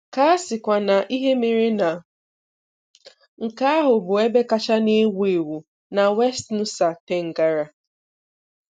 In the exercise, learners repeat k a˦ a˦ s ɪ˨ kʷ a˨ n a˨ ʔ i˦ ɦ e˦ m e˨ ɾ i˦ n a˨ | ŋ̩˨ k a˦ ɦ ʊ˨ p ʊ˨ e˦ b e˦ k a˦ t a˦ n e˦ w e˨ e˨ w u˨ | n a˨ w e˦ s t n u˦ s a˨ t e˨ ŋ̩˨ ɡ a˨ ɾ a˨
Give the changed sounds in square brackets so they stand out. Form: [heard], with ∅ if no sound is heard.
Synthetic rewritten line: k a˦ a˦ s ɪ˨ kʷ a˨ n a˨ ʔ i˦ ɦ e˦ m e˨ ɾ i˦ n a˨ | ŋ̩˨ k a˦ ɦ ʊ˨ [b] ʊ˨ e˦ b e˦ k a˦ [t͡ʃ] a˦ n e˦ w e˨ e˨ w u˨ | n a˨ w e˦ s t n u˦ s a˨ t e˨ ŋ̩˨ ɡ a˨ ɾ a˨

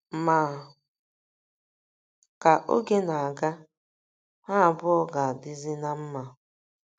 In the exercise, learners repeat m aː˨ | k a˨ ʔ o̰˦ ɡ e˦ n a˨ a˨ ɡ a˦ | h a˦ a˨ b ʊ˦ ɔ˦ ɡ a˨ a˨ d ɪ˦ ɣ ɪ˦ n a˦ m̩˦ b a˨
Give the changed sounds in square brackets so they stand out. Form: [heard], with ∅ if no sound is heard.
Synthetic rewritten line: m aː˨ | k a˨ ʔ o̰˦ ɡ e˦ n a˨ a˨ ɡ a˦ | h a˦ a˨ b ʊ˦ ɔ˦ ɡ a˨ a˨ d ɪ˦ [z] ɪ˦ n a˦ m̩˦ [m] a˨

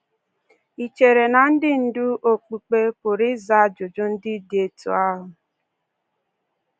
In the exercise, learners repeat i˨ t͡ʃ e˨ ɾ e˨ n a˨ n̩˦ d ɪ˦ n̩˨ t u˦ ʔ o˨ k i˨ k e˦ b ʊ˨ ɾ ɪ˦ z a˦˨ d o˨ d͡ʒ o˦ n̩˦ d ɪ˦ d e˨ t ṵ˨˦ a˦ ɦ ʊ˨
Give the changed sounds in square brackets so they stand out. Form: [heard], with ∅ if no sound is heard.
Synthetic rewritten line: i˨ t͡ʃ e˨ ɾ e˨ n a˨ n̩˦ d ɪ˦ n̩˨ [d] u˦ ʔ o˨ [k͡p] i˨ [k͡p] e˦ [p] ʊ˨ ɾ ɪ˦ z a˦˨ [d͡ʒ] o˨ d͡ʒ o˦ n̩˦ d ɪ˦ d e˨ t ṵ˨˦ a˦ ɦ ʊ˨

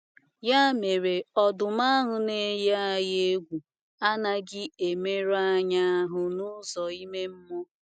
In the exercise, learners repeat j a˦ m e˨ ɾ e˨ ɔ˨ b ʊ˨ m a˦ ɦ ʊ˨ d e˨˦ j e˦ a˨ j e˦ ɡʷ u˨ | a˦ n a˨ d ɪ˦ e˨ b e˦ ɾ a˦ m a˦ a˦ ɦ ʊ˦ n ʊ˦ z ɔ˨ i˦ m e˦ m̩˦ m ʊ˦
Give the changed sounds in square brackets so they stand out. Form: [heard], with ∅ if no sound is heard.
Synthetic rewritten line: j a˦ m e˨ ɾ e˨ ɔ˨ [d] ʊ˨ m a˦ ɦ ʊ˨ [n] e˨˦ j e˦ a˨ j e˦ ɡʷ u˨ | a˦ n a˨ [ɡ] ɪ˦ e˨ [m] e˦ ɾ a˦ [ɲ] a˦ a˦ ɦ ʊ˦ n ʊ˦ z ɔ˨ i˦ m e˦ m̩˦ m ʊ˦

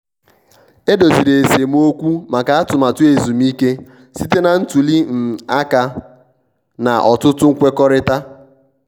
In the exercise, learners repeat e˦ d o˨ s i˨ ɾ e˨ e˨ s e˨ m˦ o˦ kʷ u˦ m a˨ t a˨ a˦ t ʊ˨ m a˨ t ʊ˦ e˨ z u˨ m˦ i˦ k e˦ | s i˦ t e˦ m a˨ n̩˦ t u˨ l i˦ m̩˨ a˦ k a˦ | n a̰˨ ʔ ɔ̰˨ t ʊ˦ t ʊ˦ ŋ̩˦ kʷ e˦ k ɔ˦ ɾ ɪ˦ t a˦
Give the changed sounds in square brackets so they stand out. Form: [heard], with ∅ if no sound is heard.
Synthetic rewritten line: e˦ d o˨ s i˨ ɾ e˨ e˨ s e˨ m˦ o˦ kʷ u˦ m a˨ [k] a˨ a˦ t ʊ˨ m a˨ t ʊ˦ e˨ z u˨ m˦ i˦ k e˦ | s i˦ t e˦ [n] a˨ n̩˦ t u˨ l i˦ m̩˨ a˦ k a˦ | n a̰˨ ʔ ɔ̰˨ t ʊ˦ t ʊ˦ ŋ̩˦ kʷ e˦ k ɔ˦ ɾ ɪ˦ t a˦

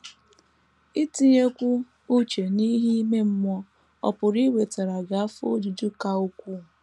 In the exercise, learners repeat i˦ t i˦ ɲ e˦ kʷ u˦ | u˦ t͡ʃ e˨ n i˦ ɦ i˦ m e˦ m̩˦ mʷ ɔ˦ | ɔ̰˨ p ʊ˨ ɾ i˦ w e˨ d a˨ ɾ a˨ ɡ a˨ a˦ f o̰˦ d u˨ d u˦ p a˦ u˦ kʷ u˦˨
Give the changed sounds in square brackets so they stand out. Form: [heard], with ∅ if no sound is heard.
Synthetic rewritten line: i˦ t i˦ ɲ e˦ kʷ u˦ | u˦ t͡ʃ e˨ n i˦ ɦ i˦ m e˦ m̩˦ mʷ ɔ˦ | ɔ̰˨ p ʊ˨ ɾ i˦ w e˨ [t] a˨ ɾ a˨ ɡ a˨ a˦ f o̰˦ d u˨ d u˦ [k] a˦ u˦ kʷ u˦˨

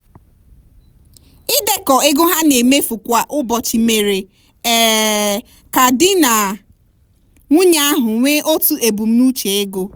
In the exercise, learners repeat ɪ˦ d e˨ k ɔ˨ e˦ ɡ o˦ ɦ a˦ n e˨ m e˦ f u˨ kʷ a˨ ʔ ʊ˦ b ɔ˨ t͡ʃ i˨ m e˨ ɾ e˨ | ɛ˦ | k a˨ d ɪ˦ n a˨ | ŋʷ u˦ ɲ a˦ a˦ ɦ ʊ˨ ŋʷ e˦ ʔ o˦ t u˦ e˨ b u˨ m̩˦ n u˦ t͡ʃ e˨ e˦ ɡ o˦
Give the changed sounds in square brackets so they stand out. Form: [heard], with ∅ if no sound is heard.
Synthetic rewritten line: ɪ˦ d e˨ k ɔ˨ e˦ ɡ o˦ ɦ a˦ n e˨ m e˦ f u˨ kʷ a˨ ʔ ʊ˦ b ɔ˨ t͡ʃ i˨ m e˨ ɾ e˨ | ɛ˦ | k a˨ d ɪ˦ n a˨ | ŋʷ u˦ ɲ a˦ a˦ ɦ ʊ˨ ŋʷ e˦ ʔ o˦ t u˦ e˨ b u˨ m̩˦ n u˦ t͡ʃ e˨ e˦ ɡ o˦

